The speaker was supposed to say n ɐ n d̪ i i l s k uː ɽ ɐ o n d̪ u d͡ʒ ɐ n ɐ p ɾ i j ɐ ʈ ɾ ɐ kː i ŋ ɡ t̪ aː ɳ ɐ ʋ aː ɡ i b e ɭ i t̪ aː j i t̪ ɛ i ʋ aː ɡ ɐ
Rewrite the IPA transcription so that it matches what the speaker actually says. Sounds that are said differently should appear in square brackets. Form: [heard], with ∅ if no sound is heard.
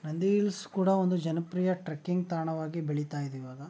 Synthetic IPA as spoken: n ɐ n d̪ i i l s k uː ɽ ɐ o n d̪ u d͡ʒ ɐ n ɐ p ɾ i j ɐ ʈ ɾ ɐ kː i ŋ ɡ t̪ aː ɳ ɐ ʋ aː ɡ i b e ɭ i t̪ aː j i [d̪] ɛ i ʋ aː ɡ ɐ